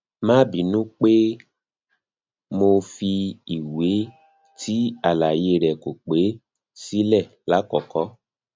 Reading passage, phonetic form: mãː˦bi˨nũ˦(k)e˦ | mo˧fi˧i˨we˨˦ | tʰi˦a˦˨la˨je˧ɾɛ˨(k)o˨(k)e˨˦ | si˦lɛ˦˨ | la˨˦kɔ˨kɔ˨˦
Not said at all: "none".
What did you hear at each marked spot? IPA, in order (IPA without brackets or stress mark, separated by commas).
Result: k͡p, k, k͡p